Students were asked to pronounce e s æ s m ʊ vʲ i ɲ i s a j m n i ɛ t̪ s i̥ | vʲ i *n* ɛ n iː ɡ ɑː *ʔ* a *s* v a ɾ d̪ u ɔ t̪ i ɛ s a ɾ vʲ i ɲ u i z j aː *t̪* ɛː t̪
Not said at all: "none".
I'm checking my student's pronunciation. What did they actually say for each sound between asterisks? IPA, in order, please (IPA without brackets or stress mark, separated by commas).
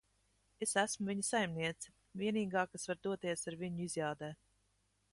none, k, s, d̪